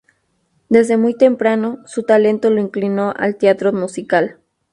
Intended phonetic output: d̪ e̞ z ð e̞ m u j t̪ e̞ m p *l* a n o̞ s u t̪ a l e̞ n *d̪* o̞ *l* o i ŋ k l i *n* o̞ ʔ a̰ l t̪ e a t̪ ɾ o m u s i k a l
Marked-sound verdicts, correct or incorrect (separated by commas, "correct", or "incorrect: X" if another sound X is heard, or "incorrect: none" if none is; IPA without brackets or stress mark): incorrect: ɾ, incorrect: t̪, correct, correct